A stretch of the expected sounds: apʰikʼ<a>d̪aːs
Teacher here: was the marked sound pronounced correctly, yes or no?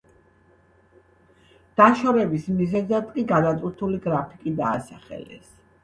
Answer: no